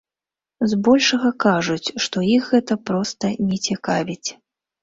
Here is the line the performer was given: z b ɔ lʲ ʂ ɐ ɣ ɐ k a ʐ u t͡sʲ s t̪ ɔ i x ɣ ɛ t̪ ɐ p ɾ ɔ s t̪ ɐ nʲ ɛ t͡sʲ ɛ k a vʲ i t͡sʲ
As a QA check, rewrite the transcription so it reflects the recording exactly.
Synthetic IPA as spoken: z b ɔ lʲ ʂ ɐ ɣ ɐ k a ʐ u t͡sʲ ʂ t̪ ɔ i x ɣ ɛ t̪ ɐ p ɾ ɔ s t̪ ɐ nʲ ɛ t͡sʲ ɛ k a vʲ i t͡sʲ

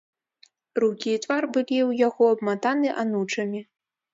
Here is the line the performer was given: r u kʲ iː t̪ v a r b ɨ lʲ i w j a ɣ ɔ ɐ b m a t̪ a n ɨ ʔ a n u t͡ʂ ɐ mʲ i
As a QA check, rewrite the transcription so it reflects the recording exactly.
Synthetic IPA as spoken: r u kʲ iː t̪ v a r b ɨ lʲ i w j a ɣ ɔ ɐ b m a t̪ a n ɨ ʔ a n u t͡ʂ ɐ mʲ i

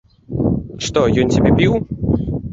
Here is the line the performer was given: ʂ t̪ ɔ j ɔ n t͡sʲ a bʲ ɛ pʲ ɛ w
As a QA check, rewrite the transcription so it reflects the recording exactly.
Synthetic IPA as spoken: ʂ t̪ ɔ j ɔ n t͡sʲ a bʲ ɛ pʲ i w

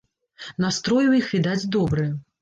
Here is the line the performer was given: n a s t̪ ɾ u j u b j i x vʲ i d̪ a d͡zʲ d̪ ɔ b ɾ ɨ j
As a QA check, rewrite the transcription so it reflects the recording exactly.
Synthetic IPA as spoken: n a s t̪ ɾ ɔ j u w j i x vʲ i d̪ a d͡zʲ d̪ ɔ b ɾ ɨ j

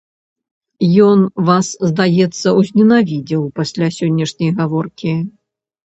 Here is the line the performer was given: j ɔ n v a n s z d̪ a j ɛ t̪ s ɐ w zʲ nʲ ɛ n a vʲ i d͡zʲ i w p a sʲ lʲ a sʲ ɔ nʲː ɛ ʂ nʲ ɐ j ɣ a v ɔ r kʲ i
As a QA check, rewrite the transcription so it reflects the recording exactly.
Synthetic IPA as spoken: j ɔ n v a s z d̪ a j ɛ t̪ sː ɐ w zʲ nʲ ɛ n a vʲ i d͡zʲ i w p a sʲ lʲ a sʲ ɔ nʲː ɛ ʂ nʲ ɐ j ɣ a v ɔ r kʲ i

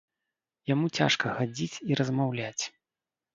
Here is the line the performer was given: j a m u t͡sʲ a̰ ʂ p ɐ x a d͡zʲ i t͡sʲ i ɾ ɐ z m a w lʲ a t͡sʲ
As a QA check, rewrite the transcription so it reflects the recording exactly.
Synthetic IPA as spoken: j a m u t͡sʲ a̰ ʂ k ɐ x a d͡zʲ i t͡sʲ i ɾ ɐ z m a w lʲ a t͡sʲ

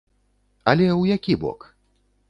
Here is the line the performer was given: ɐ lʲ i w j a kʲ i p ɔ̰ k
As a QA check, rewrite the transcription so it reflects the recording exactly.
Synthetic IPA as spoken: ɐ lʲ ɛ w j a kʲ i b ɔ̰ k

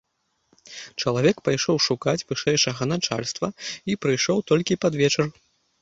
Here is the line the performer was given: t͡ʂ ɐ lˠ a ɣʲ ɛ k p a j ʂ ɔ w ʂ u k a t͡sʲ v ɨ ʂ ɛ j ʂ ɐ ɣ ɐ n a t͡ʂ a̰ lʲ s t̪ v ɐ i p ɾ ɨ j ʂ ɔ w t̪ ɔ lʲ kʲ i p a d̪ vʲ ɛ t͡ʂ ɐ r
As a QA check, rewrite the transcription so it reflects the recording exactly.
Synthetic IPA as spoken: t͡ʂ ɐ lˠ a vʲ ɛ k p a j ʂ ɔ w ʂ u k a t͡sʲ v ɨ ʂ ɛ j ʂ ɐ ɣ ɐ n a t͡ʂ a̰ lʲ s t̪ v ɐ i p ɾ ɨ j ʂ ɔ w t̪ ɔ lʲ kʲ i p a d̪ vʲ ɛ t͡ʂ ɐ r

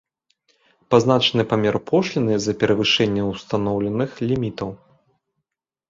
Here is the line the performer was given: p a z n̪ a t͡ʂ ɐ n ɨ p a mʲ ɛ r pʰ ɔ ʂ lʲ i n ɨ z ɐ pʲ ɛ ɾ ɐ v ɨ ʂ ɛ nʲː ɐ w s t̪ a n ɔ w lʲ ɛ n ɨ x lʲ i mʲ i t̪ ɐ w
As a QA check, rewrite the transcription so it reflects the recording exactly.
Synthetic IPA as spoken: p a z n̪ a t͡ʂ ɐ n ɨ p a mʲ ɛ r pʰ ɔ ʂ lʲ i n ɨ z ɐ pʲ ɛ ɾ ɐ v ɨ ʂ ɛ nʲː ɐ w s t̪ a n ɔ w lʲ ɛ n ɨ x lʲ i mʲ i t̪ ɐ w

